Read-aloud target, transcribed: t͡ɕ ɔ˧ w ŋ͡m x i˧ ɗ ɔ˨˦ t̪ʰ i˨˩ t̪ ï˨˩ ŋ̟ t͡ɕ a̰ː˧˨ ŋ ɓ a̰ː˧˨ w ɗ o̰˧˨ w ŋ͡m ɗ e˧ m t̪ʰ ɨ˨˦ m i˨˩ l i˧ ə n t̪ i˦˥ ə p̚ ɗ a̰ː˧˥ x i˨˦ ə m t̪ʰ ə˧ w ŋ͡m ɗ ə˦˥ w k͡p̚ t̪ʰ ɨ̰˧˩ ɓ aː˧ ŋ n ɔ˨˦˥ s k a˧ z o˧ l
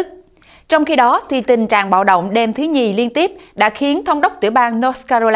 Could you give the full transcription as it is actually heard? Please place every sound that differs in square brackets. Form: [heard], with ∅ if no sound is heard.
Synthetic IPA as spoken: t͡ɕ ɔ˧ w ŋ͡m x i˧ ɗ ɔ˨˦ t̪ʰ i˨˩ t̪ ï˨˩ ŋ̟ t͡ɕ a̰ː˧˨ ŋ ɓ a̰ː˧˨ w ɗ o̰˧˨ w ŋ͡m ɗ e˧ m t̪ʰ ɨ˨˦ [ɲ] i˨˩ l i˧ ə n t̪ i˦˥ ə p̚ ɗ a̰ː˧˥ x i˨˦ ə [n] t̪ʰ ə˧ w ŋ͡m ɗ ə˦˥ w k͡p̚ [t̪] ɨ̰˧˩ ɓ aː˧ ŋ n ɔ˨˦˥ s k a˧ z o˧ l